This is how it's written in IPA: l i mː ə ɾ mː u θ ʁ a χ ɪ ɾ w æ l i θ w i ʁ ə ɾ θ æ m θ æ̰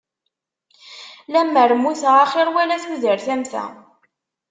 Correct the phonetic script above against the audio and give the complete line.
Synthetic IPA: l æ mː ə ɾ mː u θ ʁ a χ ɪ ɾ w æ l æ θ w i ð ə ɾ θ æ m θ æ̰

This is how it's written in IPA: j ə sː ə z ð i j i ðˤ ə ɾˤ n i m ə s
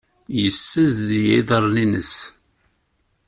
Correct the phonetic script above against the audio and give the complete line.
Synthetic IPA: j ə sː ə z ð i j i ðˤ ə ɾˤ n i n ə s

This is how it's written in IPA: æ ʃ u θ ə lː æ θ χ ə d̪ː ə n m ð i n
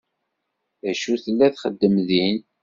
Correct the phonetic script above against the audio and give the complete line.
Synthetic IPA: æ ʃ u θ ə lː æ θ χ ə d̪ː ə m ð i n

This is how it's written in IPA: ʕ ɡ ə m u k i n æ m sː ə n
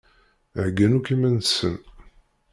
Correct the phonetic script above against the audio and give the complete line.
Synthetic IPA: ʕ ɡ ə n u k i m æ n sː ə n

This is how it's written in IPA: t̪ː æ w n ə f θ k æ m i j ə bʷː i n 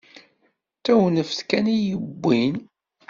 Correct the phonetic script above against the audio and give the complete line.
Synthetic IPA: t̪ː æ w n ə f θ k æ n i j ə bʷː i n

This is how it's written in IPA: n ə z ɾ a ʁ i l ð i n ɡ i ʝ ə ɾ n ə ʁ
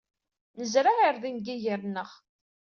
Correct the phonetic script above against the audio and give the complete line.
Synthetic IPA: n ə z ɾ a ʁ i ɾ ð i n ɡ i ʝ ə ɾ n ə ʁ

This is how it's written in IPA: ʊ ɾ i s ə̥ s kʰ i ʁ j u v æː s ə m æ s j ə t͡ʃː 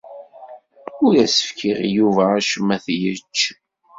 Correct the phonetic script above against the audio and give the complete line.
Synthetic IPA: ʊ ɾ æ s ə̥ f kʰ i ʁ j u v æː ʃ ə m æ θ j ə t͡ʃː

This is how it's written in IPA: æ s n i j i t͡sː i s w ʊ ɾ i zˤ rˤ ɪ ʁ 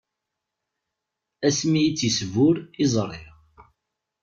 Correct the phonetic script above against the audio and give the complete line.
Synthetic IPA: æ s m i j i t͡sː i s v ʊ ɾ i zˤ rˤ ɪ ʁ

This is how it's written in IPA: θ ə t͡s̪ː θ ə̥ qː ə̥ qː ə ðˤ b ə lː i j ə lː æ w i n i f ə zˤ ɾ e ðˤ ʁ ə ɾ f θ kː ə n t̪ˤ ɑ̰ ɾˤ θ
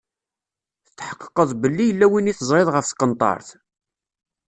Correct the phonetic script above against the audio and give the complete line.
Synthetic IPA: θ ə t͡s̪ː ħ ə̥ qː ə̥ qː ə ðˤ b ə lː i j ə lː æ w i n i θ ə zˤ ɾ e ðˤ ʁ ə f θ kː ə n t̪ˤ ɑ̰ ɾˤ θ

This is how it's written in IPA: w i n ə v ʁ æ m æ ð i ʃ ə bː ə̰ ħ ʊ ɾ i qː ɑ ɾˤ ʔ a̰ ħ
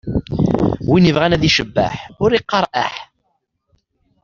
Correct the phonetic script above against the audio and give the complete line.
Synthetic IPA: w i n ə v ʁ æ n æ ð i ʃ ə bː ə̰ ħ ʊ ɾ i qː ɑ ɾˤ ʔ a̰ ħ

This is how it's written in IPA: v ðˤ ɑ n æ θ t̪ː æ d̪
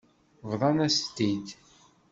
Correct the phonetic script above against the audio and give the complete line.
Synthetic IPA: v ðˤ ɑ n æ s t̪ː i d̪

